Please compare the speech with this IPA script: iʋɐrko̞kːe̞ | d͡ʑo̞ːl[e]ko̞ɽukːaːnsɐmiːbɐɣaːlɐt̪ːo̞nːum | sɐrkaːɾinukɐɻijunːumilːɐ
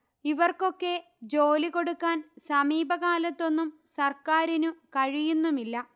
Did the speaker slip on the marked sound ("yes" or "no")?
yes